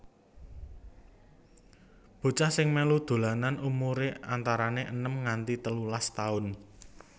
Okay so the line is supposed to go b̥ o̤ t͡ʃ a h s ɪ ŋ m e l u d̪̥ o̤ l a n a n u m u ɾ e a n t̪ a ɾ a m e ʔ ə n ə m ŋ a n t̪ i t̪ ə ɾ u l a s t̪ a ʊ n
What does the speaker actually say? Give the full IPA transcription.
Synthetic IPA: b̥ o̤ t͡ʃ a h s ɪ ŋ m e l u d̪̥ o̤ l a n a n u m u ɾ e a n t̪ a ɾ a n e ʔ ə n ə m ŋ a n t̪ i t̪ ə l u l a s t̪ a ʊ n